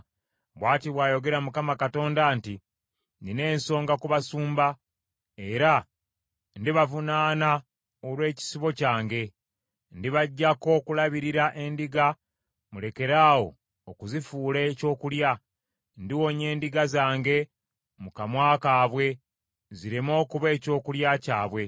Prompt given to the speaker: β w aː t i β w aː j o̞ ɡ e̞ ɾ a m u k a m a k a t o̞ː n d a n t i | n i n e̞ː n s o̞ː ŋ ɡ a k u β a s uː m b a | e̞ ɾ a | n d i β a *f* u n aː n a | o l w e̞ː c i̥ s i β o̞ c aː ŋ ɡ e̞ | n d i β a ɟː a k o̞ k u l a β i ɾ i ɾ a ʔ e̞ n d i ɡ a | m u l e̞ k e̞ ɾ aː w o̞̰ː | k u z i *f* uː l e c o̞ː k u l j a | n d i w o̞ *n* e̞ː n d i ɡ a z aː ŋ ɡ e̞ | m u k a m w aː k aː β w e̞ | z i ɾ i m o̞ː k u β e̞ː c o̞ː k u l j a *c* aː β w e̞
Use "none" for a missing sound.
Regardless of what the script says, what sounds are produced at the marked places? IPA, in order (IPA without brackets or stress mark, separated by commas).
v, f, ɲ, c